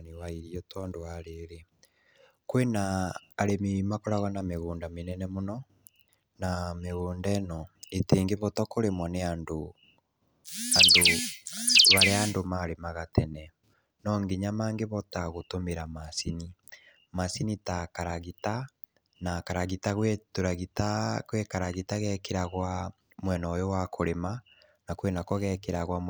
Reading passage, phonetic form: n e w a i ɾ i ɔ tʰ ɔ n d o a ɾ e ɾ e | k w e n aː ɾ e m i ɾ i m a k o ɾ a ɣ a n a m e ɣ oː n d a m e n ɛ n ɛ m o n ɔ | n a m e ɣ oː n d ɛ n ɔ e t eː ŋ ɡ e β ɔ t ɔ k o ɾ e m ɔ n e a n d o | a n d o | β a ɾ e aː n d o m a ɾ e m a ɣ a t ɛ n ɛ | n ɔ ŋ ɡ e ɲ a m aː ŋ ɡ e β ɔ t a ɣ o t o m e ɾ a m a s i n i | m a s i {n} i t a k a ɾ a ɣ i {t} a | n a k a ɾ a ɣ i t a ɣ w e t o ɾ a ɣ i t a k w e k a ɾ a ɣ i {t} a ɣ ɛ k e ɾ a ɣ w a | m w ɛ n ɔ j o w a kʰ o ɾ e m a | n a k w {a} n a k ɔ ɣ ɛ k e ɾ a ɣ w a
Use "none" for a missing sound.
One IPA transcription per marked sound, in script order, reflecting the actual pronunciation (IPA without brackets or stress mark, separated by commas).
n, t, t, e